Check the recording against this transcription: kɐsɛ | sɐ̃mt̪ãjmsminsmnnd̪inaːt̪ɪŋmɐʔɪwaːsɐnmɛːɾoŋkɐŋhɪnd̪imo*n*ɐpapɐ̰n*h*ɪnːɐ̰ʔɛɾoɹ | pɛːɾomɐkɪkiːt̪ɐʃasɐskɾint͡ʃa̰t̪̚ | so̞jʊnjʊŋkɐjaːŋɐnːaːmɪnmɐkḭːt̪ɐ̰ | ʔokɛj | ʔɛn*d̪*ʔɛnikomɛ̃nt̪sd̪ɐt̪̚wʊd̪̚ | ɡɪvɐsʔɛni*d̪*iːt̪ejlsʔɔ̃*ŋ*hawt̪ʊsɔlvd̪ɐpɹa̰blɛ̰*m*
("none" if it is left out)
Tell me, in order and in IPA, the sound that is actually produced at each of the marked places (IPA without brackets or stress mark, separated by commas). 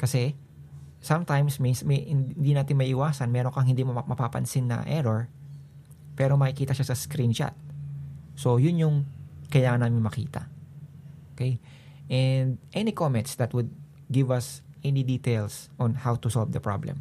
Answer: m, s, d̪, d̪, n, m